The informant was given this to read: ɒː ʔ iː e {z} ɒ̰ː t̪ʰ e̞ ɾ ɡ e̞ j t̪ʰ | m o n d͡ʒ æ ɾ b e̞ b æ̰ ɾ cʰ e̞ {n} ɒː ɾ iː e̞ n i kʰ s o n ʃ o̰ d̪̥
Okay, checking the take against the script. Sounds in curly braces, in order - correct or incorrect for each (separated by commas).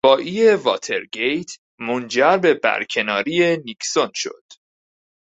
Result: incorrect, correct